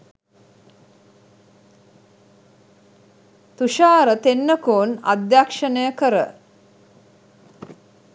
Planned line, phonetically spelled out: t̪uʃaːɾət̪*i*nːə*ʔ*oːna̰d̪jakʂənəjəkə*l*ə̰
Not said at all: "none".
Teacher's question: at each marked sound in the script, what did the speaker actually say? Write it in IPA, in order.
e, k, ɾ

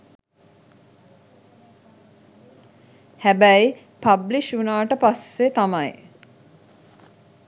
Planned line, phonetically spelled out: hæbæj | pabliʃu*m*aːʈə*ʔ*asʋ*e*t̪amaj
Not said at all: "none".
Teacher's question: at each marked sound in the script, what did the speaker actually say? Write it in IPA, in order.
n, p, e

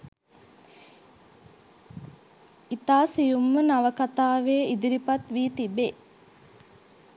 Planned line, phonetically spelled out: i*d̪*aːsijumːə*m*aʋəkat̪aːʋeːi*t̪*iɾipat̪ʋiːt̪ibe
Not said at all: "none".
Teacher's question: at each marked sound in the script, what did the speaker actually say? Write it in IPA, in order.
t̪, n, d̪

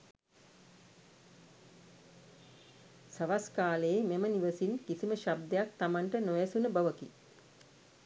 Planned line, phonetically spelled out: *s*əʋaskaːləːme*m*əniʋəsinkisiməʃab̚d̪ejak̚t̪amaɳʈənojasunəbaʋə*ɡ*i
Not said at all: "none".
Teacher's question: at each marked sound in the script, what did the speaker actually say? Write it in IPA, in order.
s, m, k

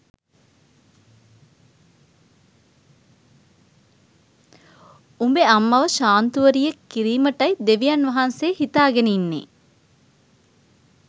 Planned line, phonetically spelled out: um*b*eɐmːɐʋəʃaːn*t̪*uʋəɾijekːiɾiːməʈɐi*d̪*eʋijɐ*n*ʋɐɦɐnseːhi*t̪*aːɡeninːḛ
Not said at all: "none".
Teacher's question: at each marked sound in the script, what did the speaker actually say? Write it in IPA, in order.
b, t̪, d̪, n, t̪

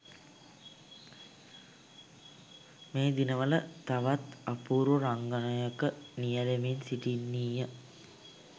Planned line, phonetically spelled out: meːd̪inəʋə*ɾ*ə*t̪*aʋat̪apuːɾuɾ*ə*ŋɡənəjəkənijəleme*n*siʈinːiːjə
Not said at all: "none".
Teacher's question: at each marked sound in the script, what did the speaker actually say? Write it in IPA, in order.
l, t̪, a, n

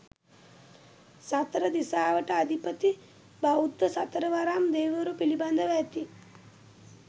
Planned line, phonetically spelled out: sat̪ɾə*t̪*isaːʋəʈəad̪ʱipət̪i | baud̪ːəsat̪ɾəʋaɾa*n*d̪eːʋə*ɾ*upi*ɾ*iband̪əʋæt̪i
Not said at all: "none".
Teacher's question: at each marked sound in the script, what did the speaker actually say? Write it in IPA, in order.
d̪, m, ɾ, l

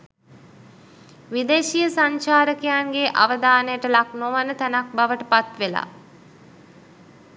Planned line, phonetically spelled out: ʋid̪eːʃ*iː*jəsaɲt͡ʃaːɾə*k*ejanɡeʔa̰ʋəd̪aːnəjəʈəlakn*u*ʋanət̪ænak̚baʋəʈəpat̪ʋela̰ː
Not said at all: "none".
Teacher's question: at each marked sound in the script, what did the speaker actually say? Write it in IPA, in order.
i, k, o

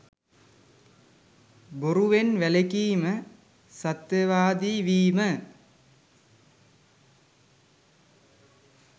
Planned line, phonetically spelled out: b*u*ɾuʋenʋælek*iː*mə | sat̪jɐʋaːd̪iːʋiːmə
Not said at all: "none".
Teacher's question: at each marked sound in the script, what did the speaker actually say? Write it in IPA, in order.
o, iː

